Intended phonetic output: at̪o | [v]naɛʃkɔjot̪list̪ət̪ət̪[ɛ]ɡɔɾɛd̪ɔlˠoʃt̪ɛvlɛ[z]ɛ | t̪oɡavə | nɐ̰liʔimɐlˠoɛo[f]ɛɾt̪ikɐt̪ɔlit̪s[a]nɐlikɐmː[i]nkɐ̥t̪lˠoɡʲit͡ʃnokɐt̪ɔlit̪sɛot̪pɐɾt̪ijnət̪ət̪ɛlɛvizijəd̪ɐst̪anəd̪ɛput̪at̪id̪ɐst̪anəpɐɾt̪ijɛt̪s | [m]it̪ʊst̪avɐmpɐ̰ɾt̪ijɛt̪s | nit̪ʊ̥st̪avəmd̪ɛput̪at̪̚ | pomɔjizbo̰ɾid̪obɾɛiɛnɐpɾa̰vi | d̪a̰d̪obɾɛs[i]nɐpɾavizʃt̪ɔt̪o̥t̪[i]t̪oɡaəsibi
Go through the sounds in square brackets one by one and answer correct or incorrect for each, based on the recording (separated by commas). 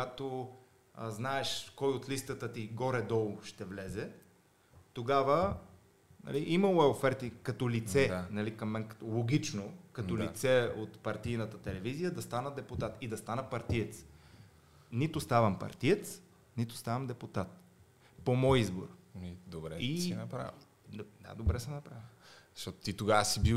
incorrect, incorrect, correct, correct, incorrect, incorrect, incorrect, incorrect, correct